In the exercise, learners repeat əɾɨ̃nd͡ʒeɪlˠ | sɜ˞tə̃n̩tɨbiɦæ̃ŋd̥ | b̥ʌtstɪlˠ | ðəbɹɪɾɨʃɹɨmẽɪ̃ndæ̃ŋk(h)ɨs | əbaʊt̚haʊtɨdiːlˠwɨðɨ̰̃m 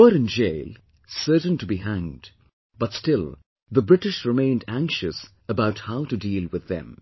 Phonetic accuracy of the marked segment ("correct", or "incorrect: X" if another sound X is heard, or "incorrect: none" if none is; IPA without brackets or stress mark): incorrect: ʃ